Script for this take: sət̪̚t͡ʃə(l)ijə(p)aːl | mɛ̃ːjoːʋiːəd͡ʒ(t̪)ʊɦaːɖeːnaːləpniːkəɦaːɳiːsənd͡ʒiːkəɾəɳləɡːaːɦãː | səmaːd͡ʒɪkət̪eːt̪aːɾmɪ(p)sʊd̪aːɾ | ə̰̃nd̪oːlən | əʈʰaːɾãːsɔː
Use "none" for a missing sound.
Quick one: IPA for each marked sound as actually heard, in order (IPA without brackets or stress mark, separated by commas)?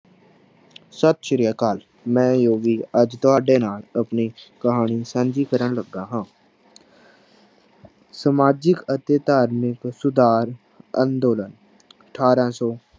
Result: ɾ, k, t̪, k